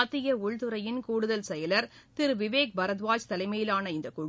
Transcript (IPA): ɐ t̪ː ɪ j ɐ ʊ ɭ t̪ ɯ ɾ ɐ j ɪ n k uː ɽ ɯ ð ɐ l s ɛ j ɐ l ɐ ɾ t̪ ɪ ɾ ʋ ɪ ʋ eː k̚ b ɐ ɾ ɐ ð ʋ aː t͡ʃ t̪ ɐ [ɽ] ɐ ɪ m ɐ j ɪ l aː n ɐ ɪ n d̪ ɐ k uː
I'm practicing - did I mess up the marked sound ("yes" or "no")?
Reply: yes